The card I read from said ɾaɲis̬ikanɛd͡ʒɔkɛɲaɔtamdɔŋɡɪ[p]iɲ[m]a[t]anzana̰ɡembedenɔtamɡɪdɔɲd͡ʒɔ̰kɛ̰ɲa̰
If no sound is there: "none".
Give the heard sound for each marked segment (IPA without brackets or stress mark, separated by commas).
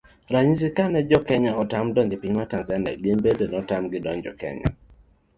p, m, t